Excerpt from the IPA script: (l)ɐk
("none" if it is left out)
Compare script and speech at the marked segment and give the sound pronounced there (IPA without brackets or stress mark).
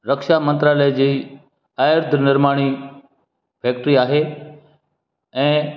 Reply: ɾ